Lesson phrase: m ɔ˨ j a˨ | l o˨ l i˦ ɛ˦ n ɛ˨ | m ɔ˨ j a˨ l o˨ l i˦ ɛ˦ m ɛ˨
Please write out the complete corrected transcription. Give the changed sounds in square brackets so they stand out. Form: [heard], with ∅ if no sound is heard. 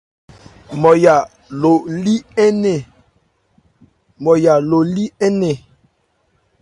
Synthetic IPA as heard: m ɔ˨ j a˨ | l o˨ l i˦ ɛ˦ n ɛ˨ | m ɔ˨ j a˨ l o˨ l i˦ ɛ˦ [n] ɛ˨